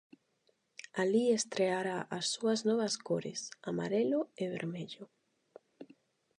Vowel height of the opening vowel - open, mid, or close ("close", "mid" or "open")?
open